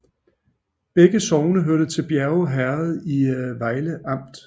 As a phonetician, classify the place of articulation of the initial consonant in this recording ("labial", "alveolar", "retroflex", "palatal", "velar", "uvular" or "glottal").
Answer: labial